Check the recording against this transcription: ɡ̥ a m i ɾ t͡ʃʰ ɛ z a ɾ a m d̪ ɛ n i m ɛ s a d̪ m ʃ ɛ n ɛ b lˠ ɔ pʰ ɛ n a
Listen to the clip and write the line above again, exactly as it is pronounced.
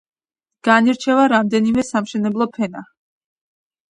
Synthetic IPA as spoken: ɡ̥ a n i ɾ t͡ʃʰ ɛ v a ɾ a m d̪ ɛ n i m ɛ s a m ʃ ɛ n ɛ b lˠ ɔ pʰ ɛ n a